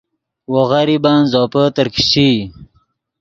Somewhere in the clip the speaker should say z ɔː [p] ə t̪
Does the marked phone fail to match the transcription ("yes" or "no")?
no